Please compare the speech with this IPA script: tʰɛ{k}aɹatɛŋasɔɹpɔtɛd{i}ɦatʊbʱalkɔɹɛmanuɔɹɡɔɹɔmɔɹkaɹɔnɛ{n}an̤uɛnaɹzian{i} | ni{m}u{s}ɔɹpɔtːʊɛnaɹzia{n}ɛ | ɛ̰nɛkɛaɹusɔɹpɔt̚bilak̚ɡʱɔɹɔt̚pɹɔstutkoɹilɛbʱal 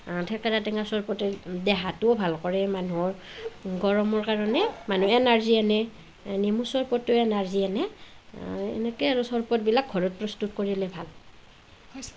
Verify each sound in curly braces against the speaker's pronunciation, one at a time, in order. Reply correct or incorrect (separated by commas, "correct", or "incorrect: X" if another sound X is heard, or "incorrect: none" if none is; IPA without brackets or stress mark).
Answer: correct, incorrect: ɛ, incorrect: m, incorrect: ɛ, correct, correct, correct